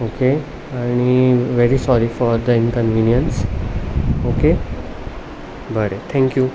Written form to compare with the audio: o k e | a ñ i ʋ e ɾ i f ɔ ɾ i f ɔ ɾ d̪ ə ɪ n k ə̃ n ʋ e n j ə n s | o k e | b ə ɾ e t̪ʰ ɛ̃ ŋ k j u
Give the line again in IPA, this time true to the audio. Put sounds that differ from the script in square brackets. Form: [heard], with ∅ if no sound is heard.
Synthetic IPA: o k e | a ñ i ʋ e ɾ i [s] ɔ ɾ i f ɔ ɾ d̪ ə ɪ n k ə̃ n ʋ [i] n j ə n s | o k e | b ə ɾ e t̪ʰ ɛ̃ ŋ k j u